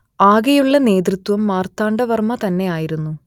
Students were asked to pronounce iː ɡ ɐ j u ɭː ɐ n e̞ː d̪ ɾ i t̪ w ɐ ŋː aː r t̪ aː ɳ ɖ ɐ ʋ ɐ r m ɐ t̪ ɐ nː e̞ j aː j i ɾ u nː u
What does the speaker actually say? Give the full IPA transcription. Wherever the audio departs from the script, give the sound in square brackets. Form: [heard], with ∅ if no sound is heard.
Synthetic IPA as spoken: [aː] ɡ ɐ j u ɭː ɐ n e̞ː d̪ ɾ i t̪ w ɐ [mː] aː r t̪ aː ɳ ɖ ɐ ʋ ɐ r m ɐ t̪ ɐ nː e̞ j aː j i ɾ u nː u